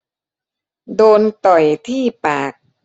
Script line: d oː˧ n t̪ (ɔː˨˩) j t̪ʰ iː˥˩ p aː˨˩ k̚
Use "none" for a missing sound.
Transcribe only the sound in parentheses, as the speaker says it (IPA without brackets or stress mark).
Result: ɔ˨˩